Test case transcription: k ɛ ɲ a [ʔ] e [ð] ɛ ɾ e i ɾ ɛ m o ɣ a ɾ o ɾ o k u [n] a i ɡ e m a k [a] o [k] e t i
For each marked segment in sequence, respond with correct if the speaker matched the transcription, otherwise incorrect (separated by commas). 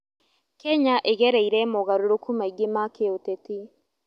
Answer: correct, incorrect, incorrect, incorrect, incorrect